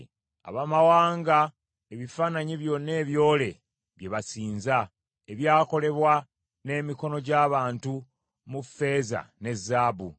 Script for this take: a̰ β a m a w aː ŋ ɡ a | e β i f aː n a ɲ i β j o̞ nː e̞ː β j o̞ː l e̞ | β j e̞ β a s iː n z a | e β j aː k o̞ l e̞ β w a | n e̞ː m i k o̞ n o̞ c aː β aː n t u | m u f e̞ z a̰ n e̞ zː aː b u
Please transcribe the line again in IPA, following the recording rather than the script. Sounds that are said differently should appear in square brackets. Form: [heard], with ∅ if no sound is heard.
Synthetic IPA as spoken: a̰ β a m a w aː ŋ ɡ a | e β i f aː n a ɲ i β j o̞ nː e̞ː β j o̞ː l e̞ | β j e̞ β a s iː n z a | e β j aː k o̞ l e̞ β w a | n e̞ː m i k o̞ n o̞ [ɟ] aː β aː n t u | m u f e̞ z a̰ n e̞ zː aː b u